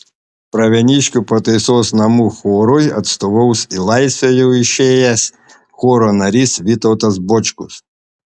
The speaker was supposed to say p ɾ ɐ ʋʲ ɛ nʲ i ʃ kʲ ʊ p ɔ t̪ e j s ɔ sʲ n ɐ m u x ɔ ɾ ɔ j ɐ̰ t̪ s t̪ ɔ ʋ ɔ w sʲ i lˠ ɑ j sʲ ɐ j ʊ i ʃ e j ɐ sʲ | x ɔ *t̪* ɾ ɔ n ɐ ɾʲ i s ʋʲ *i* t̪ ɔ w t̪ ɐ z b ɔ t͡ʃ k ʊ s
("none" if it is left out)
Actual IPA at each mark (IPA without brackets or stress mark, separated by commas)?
none, i